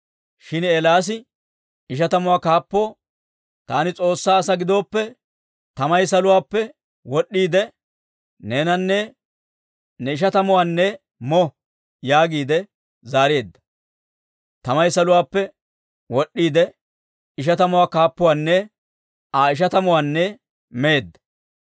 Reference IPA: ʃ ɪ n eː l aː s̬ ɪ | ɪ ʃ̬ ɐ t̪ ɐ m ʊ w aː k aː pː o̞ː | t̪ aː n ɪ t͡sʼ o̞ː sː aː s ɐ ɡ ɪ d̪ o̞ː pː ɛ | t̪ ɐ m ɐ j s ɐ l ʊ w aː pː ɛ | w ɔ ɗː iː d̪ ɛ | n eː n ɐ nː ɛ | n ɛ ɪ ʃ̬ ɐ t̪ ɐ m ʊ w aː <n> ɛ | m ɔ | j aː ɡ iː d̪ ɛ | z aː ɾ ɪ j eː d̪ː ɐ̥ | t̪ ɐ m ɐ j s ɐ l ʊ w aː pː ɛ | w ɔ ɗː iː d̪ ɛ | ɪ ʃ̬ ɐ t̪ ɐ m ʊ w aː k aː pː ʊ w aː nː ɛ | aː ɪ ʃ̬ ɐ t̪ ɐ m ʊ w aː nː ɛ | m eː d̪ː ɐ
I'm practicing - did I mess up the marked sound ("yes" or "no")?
yes